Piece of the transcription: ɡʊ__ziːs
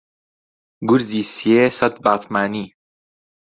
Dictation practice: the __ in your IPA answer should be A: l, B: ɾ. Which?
B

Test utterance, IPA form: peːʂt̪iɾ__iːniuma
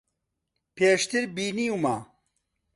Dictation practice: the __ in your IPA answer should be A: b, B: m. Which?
A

